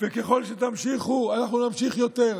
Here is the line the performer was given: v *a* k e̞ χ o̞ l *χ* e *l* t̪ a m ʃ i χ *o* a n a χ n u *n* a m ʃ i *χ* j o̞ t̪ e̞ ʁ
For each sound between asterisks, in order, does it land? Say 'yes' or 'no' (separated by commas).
no, no, no, no, yes, yes